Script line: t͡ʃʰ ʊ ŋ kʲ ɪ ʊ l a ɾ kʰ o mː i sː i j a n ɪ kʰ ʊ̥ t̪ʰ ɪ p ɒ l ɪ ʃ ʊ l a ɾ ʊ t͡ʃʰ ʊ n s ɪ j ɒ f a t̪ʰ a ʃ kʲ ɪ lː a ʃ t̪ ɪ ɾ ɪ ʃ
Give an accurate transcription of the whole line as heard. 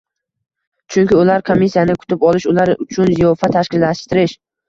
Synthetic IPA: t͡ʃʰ ʊ ŋ kʲ ɪ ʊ l a ɾ kʰ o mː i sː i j a n ɪ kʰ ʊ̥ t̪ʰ ɪ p ɒ l ɪ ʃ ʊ l a ɾ ʊ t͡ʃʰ ʊ n z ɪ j ɒ f a t̪ʰ a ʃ kʲ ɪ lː a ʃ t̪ ɪ ɾ ɪ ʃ